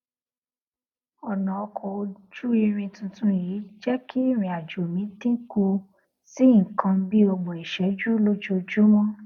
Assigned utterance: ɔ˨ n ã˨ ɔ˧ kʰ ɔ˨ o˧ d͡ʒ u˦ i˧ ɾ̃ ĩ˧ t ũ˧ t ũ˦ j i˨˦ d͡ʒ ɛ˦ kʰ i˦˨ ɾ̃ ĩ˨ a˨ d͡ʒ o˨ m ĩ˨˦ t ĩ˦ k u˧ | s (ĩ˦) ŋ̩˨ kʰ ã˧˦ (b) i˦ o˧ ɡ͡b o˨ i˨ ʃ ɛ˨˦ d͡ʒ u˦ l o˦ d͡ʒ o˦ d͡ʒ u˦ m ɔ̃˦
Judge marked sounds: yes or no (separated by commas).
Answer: no, yes